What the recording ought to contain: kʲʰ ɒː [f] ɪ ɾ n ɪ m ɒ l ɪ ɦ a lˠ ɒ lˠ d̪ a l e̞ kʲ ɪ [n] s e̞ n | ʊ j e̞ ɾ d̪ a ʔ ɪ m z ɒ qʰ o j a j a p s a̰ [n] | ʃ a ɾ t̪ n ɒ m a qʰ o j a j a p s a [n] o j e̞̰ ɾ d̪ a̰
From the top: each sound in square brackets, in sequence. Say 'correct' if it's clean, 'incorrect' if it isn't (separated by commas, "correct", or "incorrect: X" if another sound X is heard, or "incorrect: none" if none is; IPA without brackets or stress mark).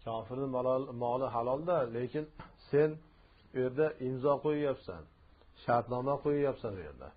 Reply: correct, correct, correct, correct